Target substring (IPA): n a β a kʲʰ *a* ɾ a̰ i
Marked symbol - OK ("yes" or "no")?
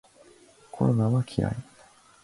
no